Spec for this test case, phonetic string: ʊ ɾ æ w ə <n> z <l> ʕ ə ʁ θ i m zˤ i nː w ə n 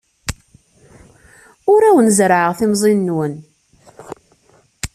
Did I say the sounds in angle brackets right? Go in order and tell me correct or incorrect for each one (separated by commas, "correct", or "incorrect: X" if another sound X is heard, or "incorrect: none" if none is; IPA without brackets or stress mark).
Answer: correct, incorrect: ɾ